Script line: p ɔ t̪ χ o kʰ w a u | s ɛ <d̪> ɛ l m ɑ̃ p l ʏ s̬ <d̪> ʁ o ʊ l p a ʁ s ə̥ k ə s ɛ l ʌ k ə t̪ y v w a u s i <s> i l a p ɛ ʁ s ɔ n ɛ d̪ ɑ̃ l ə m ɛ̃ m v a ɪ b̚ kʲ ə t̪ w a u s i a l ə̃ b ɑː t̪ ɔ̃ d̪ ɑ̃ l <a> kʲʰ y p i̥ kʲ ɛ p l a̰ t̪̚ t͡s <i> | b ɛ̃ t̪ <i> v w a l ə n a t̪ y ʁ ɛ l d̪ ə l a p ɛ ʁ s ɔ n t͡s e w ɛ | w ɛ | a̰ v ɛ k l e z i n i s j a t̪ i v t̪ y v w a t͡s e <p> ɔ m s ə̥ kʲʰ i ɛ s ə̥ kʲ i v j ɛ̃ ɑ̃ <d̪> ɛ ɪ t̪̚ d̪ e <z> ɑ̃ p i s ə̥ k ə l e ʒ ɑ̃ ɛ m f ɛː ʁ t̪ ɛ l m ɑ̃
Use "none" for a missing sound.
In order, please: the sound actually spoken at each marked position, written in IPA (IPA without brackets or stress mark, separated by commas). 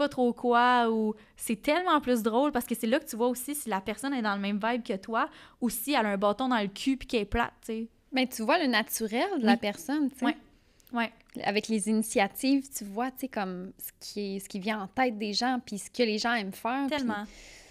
t̪, d̪, s, ə, e, y, k, t̪, ʒ